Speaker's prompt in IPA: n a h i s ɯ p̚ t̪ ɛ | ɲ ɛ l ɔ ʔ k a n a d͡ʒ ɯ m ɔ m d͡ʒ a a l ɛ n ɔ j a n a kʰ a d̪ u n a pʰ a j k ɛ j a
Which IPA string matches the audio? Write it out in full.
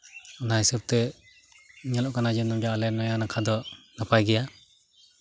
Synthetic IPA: n a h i s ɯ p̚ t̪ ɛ | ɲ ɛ l ɔ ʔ k a n a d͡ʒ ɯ n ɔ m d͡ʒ a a l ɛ n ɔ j a n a kʰ a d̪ ɔ n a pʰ a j ɡ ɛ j a